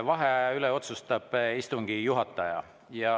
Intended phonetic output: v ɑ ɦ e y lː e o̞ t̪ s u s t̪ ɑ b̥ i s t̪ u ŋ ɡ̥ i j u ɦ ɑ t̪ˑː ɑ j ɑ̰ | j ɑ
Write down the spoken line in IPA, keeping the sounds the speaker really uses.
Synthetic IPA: v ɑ ɦ e y l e o̞ t̪ s u s t̪ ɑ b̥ i s t̪ u ŋ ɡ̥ i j u ɦ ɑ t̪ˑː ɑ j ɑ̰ | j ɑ